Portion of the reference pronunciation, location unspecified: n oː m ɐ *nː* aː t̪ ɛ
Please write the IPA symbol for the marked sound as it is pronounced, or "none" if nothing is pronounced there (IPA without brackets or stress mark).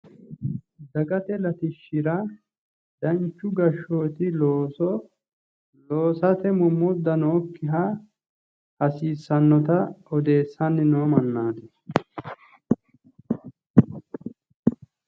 nː